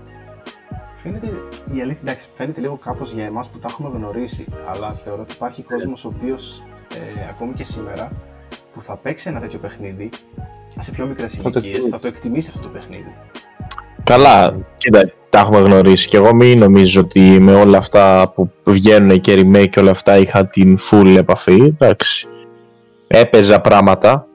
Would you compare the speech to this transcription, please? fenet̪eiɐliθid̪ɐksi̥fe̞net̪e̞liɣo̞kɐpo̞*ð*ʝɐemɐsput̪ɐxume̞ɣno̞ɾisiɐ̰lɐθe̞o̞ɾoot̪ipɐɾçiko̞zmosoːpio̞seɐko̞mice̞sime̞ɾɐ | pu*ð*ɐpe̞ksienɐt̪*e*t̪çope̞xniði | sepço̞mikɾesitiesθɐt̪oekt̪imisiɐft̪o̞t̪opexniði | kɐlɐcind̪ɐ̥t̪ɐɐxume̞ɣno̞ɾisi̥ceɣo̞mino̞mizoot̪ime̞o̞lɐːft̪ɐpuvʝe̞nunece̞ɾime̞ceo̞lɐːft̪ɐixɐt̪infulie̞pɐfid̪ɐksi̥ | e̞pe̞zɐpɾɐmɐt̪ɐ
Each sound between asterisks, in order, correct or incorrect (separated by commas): incorrect, incorrect, correct